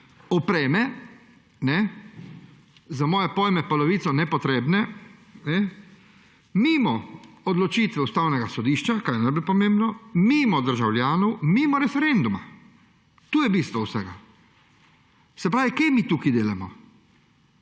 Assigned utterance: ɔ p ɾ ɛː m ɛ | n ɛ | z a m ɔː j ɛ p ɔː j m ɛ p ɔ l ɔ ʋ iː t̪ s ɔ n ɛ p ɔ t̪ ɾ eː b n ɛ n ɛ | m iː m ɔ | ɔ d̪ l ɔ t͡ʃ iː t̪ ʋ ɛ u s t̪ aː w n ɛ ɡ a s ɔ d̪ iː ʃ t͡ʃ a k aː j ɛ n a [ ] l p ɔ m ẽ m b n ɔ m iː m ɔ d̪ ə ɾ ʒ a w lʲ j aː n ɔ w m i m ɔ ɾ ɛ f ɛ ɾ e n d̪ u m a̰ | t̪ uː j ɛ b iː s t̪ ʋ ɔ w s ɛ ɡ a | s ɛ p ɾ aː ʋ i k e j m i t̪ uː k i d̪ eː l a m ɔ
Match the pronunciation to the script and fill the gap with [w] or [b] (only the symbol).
b